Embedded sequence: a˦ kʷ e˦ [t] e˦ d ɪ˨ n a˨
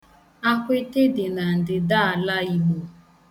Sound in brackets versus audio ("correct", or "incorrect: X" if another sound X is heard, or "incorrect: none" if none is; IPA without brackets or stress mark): correct